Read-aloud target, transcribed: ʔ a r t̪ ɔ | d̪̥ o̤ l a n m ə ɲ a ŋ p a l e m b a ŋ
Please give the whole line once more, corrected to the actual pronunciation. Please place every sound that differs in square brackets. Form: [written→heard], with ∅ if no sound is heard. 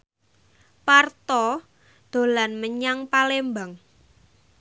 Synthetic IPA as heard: [ʔ→p] a r t̪ ɔ | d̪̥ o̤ l a n m ə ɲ a ŋ p a l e m b a ŋ